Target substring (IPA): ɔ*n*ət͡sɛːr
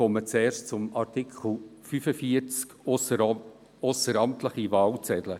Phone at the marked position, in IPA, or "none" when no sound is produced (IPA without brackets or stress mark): m